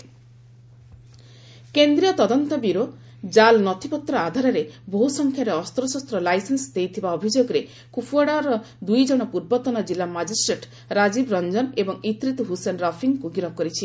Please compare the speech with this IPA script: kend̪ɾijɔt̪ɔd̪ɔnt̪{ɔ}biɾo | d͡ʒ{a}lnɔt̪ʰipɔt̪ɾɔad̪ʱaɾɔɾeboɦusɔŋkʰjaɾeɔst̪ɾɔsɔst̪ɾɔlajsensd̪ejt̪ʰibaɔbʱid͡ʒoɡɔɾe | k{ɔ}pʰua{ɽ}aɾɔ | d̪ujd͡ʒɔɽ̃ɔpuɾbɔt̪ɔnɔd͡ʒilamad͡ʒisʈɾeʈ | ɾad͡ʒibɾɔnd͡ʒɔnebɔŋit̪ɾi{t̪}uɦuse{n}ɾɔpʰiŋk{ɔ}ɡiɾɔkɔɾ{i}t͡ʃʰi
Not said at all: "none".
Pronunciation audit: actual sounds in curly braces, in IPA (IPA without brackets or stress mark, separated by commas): ɔ, a, u, ɽ, t̪, n, u, i